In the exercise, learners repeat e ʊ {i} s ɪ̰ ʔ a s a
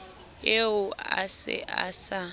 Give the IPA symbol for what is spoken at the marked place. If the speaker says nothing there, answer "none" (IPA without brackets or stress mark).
a